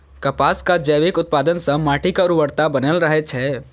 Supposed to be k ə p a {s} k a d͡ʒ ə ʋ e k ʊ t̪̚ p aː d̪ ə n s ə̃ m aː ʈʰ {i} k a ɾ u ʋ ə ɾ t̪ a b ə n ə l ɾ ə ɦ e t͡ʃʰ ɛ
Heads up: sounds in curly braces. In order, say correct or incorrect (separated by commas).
correct, correct